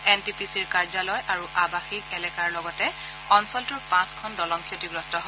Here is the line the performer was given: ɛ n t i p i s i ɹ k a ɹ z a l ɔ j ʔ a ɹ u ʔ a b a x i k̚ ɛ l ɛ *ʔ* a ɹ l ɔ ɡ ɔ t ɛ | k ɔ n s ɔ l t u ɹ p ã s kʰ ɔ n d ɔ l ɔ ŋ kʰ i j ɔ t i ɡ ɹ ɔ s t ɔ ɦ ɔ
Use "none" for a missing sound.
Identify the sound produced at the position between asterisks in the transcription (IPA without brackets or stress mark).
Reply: k